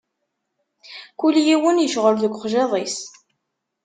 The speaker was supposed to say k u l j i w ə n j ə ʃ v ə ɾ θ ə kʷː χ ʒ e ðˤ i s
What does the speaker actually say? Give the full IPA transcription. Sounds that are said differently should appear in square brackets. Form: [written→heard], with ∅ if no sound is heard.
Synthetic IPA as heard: k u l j i w ə n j ə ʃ [v→ʁ] ə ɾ [θ→ð] ə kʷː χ ʒ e ðˤ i s